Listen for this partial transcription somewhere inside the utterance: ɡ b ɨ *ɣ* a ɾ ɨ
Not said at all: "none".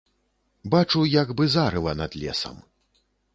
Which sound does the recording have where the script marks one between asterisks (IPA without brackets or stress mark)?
z